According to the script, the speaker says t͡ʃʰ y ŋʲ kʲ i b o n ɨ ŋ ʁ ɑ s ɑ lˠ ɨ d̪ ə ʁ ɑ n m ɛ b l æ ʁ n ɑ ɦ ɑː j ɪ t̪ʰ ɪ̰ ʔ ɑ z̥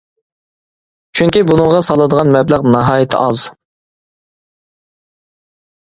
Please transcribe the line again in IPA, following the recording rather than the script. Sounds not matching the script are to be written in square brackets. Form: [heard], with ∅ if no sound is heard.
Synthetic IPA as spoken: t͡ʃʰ y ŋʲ kʲ i b [u] n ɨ ŋ ʁ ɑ s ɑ lˠ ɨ d̪ ə ʁ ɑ n m ɛ b l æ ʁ n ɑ ɦ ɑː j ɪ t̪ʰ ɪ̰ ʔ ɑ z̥